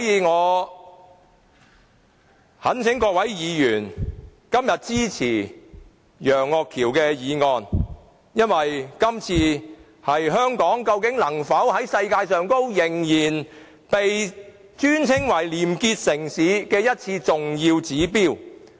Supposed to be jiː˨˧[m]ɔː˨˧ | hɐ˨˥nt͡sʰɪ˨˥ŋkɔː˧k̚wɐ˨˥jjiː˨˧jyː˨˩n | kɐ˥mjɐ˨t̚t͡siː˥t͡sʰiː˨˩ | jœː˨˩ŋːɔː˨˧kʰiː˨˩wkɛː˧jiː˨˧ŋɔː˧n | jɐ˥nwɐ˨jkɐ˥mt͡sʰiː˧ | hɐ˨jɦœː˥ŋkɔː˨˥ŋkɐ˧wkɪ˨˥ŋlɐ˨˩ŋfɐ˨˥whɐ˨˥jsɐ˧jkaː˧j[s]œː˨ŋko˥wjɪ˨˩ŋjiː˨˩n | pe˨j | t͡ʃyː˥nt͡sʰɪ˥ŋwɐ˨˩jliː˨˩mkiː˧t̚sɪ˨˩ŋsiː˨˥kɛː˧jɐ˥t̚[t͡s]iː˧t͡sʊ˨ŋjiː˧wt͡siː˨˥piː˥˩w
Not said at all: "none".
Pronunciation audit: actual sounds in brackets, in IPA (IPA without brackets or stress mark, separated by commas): ŋ, s, t͡sʰ